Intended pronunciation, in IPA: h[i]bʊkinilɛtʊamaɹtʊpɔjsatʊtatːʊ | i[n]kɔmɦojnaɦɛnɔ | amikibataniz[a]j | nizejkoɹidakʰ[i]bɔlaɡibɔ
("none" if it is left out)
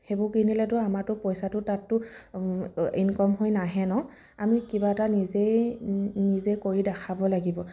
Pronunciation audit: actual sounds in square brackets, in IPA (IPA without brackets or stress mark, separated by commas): e, n, e, a